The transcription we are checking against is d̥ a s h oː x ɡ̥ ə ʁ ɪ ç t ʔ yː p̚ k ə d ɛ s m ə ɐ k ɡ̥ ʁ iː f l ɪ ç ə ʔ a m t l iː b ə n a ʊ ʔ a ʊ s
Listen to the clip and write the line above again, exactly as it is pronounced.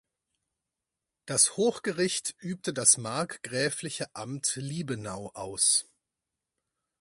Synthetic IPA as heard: d̥ a s h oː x ɡ̥ ə ʁ ɪ ç t ʔ yː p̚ t ə d a s m a ɐ k ɡ̥ ʁ ɛː f l ɪ ç ə ʔ a m t l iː b ə n a ʊ ʔ a ʊ s